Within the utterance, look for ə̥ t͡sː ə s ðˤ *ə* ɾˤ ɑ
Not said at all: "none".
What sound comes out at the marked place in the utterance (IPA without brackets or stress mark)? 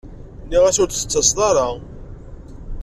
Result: ɑ